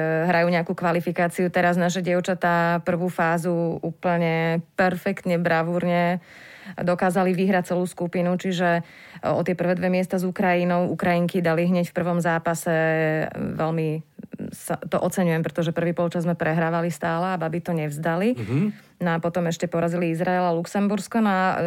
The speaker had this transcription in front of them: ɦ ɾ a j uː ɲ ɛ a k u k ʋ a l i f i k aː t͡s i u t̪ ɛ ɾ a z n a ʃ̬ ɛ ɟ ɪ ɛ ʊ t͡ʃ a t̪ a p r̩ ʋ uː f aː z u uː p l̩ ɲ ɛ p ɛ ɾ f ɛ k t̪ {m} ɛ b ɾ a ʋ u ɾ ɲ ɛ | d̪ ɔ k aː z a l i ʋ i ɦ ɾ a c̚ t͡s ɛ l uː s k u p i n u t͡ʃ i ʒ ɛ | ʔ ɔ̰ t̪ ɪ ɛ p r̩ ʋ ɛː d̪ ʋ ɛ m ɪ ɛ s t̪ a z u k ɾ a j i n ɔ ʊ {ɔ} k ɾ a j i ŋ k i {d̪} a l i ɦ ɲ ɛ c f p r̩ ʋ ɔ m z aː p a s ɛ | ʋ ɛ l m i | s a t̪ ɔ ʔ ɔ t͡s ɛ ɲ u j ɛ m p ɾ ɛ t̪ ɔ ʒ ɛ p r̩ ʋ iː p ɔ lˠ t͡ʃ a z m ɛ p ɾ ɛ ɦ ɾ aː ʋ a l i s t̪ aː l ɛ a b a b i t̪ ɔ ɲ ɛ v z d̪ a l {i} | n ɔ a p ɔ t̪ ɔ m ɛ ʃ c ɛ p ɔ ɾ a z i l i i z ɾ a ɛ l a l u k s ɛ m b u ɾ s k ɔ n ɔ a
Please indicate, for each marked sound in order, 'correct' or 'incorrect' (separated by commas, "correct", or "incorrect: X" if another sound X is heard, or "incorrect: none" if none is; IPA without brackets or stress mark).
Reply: incorrect: ɲ, incorrect: u, correct, correct